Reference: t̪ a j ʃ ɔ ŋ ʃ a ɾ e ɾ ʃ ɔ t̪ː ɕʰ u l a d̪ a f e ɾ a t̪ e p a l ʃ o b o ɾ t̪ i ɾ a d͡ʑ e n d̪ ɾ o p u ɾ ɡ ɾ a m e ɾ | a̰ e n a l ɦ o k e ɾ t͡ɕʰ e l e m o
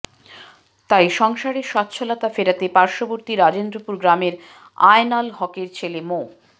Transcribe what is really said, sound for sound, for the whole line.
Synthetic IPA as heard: t̪ a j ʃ ɔ ŋ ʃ a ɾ e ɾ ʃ ɔ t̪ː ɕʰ o l a t̪ a f e ɾ a t̪ e p a ɾ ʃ o b o ɾ t̪ i ɾ a d͡ʑ e n d̪ ɾ o p u ɾ ɡ ɾ a m e ɾ | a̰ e n a l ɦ ɔ k e ɾ t͡ɕʰ e l e m o